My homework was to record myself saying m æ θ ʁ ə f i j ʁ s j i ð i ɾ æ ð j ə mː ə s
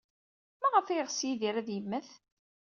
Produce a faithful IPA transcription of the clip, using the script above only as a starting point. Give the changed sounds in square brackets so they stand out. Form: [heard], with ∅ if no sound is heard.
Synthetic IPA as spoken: m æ [∅] ʁ ə f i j ʁ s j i ð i ɾ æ ð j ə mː ə [θ]